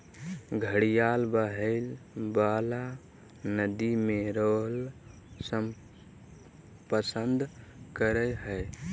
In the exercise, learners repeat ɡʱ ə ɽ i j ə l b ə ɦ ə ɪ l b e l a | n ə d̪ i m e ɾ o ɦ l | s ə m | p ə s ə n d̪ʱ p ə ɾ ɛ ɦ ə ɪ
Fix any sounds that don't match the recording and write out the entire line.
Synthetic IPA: ɡʱ ə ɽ i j a l b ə ɦ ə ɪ l b a l a | n ə d̪ i m e ɾ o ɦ l | s ə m | p ə s ə n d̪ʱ k ə ɾ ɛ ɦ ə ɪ